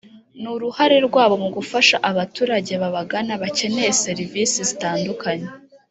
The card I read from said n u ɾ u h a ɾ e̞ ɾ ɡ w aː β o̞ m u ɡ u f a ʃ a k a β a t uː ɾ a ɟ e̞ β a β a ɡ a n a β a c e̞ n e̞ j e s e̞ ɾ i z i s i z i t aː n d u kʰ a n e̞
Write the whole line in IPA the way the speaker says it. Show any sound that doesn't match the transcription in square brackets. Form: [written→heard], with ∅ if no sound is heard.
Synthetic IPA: n u ɾ u h a ɾ e̞ ɾ ɡ w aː β o̞ m u ɡ u f a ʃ a [k→ʔ] a β a t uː ɾ a ɟ e̞ β a β a ɡ a n a β a c e̞ n e̞ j e s e̞ ɾ i [z→v] i s i z i t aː n d u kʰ a [n→ɲ] e̞